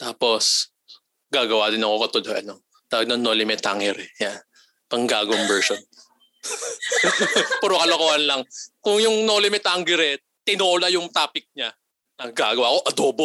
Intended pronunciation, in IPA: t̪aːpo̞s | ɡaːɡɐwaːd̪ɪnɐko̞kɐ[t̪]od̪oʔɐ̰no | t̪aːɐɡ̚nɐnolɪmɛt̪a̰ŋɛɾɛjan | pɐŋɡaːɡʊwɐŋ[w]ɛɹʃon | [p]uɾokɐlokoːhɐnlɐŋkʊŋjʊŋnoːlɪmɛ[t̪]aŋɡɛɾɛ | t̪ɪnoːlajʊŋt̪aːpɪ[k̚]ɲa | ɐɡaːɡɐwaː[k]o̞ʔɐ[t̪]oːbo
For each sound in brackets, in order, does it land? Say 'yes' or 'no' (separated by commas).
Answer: yes, no, yes, yes, yes, yes, no